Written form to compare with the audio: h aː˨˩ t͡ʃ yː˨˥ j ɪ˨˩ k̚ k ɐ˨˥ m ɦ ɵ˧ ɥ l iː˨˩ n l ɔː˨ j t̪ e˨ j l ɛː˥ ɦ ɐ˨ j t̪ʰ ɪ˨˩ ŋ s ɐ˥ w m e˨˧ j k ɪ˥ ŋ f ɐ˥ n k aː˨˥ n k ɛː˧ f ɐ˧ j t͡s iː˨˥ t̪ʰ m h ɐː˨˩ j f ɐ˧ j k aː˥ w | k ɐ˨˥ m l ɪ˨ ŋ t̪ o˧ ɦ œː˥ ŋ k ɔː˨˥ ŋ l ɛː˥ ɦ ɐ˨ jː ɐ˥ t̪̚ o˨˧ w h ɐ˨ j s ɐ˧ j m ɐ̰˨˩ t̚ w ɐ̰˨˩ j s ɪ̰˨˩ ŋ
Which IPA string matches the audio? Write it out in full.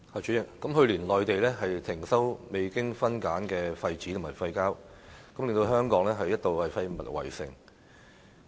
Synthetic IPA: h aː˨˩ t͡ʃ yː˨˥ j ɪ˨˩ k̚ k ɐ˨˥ m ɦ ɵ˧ ɥ l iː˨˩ n l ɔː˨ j t̪ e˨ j l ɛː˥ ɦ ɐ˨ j t̪ʰ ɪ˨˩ ŋ s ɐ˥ w m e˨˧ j k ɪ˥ ŋ f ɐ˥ n k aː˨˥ n k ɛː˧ f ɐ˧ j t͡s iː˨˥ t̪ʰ m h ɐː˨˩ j f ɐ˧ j k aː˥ w | k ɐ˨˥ m l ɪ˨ ŋ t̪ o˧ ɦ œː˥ ŋ k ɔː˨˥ ŋ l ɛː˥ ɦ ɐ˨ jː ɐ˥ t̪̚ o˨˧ w h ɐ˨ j f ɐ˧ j m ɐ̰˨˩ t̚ w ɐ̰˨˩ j s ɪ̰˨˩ ŋ

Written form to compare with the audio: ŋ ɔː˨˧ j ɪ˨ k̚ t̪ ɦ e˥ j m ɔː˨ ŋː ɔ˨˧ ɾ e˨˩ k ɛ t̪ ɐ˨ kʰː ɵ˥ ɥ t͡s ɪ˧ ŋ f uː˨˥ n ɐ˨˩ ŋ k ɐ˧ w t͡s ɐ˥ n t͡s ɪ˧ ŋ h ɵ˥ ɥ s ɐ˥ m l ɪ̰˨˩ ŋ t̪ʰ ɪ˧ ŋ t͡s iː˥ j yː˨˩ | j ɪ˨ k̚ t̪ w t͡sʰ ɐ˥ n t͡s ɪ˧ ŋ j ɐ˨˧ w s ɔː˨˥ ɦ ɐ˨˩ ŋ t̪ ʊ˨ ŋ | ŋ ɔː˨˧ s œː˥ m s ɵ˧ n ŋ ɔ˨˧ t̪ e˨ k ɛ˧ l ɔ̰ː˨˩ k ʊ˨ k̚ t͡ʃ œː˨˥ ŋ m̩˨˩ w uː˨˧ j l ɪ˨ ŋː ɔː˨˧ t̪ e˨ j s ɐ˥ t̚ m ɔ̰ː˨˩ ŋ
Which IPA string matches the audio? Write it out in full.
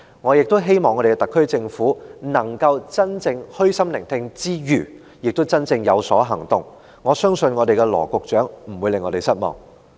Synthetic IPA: ŋ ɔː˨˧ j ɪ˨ k̚ t̪ ɦ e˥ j m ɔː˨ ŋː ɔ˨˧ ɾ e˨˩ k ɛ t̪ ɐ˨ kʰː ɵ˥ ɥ t͡s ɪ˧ ŋ f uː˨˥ n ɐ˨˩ ŋ k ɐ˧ w t͡s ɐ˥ n t͡s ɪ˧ ŋ h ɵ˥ ɥ s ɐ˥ m l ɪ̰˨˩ ŋ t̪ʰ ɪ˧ ŋ t͡s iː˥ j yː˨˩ | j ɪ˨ k̚ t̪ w t͡s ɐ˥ n t͡s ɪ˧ ŋ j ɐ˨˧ w s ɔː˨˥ ɦ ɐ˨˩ ŋ t̪ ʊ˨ ŋ | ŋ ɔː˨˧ s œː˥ ŋ s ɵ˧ n ŋ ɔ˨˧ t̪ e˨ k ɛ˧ l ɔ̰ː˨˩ k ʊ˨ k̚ t͡ʃ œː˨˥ ŋ m̩˨˩ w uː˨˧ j l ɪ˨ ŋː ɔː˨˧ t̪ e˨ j s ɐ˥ t̚ m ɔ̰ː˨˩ ŋ

